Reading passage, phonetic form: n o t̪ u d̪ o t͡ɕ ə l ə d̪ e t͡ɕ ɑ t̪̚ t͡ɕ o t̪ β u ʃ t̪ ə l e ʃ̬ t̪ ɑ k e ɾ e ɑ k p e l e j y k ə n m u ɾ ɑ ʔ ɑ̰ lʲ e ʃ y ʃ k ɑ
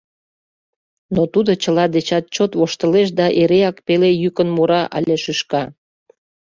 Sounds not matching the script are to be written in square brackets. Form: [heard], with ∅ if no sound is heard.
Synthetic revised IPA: n o t̪ u d̪ o t͡ɕ ə l [ɑ] d̪ e t͡ɕ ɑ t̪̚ t͡ɕ o t̪ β [o] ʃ t̪ ə l e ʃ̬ [d̪] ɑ [ʔ] e ɾ e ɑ k p e l e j y k ə n m u ɾ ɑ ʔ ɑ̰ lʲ e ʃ y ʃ k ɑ